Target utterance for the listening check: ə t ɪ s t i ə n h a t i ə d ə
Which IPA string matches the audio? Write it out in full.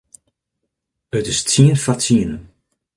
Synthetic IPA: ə t ɪ s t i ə n f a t i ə n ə